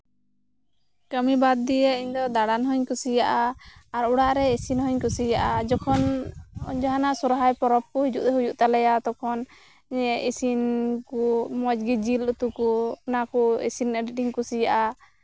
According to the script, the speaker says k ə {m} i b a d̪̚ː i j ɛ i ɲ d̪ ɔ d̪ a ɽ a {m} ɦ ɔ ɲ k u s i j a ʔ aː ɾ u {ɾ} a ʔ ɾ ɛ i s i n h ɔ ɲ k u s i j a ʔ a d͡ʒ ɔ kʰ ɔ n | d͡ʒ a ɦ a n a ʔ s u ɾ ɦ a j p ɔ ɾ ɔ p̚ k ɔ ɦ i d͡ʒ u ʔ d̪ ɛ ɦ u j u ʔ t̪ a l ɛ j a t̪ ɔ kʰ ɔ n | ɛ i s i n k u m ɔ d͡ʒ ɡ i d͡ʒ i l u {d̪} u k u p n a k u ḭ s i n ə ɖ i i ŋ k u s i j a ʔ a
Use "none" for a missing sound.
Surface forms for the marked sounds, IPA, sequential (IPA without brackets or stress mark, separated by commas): m, n, ɽ, t̪